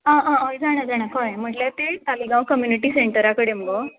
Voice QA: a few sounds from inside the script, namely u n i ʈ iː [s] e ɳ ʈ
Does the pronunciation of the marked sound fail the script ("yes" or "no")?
no